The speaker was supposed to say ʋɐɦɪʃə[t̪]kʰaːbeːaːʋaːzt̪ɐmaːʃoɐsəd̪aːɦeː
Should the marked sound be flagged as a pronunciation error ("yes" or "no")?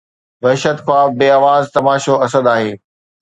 no